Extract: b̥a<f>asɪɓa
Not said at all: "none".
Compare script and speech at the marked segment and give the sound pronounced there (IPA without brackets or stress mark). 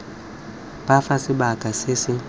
f